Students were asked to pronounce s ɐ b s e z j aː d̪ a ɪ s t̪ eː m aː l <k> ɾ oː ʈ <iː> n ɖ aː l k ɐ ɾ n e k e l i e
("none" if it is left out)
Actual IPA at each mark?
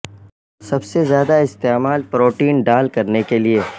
p, iː

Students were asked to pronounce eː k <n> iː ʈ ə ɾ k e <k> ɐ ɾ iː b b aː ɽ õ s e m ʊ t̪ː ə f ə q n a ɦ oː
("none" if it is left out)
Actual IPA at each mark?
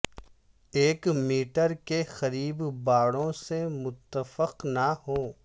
m, x

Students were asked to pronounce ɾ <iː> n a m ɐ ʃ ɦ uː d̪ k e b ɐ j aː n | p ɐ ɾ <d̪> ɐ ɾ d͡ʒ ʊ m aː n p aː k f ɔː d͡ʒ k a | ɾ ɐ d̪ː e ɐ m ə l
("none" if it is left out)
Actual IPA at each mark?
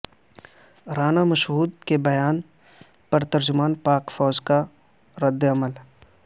aː, t̪

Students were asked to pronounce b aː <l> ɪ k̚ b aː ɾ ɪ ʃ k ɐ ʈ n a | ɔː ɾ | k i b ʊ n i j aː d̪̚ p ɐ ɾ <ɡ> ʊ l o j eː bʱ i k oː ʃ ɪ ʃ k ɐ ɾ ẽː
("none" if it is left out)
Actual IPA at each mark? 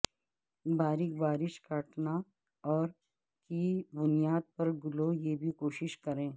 ɾ, ɡ

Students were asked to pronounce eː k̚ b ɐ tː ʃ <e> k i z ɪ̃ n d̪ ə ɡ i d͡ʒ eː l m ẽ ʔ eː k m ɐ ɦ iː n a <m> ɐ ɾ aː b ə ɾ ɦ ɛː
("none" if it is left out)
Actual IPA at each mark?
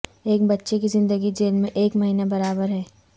e, b

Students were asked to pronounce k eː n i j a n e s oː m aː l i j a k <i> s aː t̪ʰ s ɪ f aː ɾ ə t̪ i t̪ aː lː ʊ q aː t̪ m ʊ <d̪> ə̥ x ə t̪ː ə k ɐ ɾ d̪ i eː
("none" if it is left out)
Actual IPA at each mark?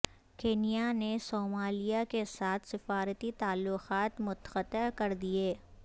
e, t̪

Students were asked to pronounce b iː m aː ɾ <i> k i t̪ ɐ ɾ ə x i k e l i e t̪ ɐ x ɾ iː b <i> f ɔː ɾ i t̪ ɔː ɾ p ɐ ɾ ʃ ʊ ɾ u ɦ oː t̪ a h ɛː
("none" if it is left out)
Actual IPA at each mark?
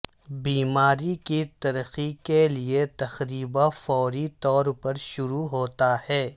i, a

